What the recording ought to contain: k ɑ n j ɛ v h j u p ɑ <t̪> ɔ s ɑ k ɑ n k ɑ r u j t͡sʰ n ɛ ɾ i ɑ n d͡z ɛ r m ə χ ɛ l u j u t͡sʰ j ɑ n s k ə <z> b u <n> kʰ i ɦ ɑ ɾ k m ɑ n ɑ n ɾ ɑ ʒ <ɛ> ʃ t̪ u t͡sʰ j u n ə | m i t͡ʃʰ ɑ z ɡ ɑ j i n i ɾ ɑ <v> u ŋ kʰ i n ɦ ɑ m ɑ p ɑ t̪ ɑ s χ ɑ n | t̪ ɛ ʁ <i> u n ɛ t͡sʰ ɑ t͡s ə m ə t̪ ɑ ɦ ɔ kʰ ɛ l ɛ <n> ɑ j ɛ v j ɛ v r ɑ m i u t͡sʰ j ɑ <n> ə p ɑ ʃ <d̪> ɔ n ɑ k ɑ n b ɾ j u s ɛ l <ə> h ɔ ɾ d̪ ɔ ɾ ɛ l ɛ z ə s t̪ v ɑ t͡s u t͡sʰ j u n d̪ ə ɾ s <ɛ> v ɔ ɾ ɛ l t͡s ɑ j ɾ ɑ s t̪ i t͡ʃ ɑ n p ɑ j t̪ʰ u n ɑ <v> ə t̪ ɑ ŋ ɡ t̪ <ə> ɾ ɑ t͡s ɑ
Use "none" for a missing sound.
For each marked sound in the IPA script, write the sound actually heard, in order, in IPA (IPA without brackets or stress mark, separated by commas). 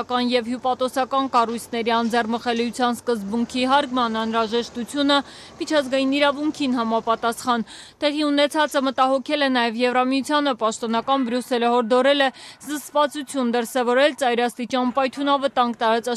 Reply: t̪, z, ŋ, ɛ, v, i, n, n, t̪, ə, ɛ, v, ɑ